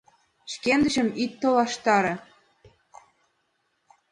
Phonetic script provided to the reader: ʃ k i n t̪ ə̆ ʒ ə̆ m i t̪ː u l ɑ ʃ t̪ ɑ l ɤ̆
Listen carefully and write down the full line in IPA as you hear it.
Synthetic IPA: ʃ k e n d̪ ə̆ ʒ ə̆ m i t̪ː o l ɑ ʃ t̪ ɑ ɾ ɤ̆